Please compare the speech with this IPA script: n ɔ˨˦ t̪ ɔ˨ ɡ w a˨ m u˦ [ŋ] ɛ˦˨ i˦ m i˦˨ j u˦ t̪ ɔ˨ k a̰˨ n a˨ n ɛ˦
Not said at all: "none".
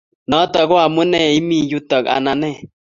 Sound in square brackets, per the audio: n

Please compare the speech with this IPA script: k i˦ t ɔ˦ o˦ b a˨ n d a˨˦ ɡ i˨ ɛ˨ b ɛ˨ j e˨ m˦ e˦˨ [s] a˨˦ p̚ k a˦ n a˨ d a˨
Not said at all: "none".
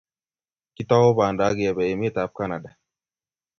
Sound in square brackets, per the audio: t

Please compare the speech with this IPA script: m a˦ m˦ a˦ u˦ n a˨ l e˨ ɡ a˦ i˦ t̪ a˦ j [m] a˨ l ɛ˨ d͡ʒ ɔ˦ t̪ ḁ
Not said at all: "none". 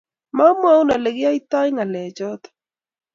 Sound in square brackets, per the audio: ŋ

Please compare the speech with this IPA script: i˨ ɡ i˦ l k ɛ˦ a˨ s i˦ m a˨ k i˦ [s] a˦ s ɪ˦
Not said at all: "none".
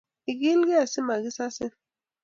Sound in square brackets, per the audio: s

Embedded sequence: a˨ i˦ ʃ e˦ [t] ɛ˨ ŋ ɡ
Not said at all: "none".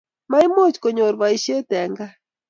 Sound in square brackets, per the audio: t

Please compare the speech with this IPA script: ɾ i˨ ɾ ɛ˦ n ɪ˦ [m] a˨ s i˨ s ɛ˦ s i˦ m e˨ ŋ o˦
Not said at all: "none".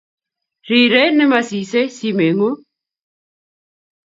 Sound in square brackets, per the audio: m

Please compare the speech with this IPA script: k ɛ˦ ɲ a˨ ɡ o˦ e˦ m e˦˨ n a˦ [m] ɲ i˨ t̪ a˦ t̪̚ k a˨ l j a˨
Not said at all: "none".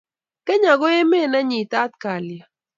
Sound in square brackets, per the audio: none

